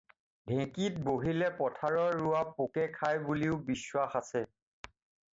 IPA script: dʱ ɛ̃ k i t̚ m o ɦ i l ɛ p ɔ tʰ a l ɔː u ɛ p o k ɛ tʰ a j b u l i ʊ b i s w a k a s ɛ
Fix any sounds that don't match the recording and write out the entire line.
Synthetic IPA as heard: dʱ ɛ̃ k i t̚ b o ɦ i l ɛ p ɔ tʰ a ɹ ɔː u a p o k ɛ kʰ a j b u l i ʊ b i s w a x a s ɛ